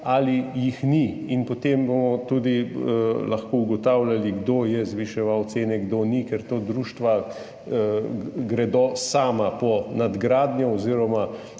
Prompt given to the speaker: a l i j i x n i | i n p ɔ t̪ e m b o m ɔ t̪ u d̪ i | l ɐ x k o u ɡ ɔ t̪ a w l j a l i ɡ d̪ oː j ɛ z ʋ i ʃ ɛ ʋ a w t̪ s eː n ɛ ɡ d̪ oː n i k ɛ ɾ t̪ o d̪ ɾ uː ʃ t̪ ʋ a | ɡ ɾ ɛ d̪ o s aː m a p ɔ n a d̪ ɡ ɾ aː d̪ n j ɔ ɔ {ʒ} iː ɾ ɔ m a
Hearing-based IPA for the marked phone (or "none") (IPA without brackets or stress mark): z